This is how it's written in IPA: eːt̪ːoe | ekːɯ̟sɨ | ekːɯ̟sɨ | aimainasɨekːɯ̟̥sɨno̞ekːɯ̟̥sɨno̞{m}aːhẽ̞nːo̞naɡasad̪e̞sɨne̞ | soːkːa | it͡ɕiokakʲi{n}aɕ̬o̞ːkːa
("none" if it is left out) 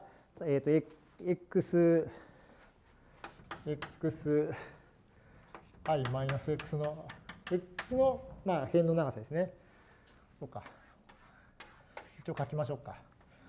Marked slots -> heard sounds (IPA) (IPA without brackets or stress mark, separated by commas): m, m